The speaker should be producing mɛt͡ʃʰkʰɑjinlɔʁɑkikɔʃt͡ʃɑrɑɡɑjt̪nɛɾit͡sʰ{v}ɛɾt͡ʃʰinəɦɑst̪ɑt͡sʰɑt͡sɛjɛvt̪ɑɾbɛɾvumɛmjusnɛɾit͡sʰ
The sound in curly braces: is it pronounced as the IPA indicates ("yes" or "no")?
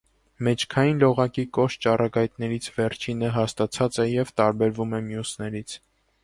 yes